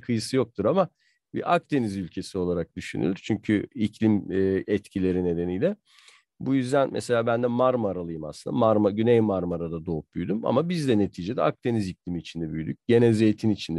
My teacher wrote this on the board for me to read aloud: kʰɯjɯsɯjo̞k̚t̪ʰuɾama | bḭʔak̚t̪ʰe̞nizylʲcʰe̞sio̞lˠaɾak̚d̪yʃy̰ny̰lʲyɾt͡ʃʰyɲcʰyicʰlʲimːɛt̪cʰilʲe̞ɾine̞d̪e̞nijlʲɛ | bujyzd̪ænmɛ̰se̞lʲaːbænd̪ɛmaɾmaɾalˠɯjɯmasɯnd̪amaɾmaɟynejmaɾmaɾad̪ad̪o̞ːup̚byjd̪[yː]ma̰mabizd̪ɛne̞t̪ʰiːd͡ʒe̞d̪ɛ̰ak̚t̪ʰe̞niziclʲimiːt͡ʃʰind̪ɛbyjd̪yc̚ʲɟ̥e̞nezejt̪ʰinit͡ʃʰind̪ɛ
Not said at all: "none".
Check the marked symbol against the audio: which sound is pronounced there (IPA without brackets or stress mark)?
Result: y